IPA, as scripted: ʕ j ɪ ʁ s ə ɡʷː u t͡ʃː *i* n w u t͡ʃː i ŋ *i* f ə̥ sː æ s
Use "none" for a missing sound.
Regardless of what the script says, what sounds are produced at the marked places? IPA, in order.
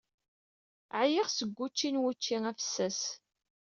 i, æ

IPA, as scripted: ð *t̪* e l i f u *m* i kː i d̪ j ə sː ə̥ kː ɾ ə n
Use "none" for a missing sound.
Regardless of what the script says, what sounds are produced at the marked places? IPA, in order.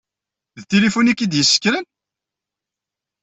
t̪, n

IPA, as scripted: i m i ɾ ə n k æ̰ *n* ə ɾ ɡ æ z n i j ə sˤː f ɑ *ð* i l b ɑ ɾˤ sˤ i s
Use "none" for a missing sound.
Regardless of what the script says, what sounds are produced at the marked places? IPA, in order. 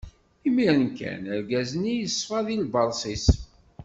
n, ð

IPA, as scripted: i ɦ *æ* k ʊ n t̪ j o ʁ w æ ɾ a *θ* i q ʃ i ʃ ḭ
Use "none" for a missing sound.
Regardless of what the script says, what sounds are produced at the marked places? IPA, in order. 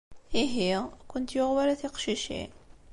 i, θ

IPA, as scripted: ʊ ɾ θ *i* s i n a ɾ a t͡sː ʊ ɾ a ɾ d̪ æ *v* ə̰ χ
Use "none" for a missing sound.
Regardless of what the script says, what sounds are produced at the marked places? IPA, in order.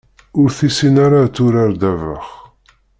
i, v

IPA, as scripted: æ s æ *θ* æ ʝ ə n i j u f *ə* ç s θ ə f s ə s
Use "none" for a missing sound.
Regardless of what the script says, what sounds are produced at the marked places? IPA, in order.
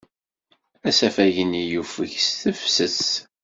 f, ə

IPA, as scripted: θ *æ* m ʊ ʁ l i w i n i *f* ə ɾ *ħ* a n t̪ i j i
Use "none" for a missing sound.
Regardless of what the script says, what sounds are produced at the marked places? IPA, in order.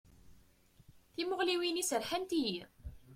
i, s, ħ

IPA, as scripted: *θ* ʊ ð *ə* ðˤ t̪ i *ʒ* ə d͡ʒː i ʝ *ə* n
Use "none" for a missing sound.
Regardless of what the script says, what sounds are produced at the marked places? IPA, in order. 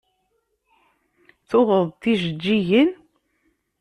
θ, ə, ʒ, ə

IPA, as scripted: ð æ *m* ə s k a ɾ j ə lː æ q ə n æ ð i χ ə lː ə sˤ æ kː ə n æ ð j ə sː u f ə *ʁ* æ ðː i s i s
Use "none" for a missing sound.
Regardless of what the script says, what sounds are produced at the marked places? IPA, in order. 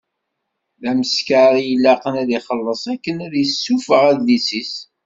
m, ʁ

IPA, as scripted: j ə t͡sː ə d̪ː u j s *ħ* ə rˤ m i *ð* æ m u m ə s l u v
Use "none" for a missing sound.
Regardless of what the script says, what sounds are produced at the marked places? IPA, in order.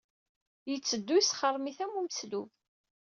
χ, θ

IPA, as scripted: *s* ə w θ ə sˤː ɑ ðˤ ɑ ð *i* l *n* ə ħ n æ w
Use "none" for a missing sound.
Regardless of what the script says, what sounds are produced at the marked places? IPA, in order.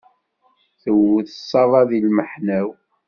θ, i, m

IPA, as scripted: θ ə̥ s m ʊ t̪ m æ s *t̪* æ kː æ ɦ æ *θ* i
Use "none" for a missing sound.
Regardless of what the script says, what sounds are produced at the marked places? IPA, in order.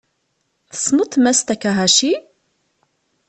t̪, ʃ

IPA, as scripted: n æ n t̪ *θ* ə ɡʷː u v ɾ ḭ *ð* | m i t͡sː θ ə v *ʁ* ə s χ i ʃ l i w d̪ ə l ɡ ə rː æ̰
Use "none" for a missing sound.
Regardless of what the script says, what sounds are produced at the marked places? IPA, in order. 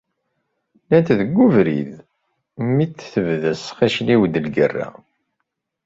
ð, ð, ð

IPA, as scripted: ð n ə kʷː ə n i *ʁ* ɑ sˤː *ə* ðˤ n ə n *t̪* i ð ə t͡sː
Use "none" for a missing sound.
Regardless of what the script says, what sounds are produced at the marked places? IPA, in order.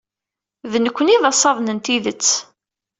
ð, ɑ, t̪

